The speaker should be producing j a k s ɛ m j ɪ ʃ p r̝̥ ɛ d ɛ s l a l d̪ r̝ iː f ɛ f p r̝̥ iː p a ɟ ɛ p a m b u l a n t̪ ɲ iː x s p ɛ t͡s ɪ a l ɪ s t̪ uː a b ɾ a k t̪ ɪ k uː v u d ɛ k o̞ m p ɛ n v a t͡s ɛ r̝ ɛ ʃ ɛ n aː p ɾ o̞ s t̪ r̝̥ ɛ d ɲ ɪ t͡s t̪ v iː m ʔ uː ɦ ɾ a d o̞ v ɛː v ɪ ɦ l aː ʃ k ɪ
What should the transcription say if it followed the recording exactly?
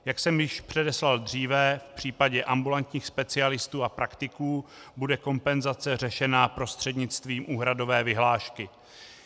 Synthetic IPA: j a k s ɛ m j ɪ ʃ p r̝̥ ɛ d ɛ s l a l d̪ r̝ iː v ɛ f p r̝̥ iː p a ɟ ɛ ʔ a m b u l a n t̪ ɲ iː x s p ɛ t͡s ɪ a l ɪ s t̪ uː a p ɾ a k t̪ ɪ k uː b u d ɛ k o̞ m p ɛ n z a t͡s ɛ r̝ ɛ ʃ ɛ n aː p ɾ o̞ s t̪ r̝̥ ɛ d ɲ ɪ t͡s t̪ v iː m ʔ uː ɦ ɾ a d o̞ v ɛː v ɪ ɦ l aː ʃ k ɪ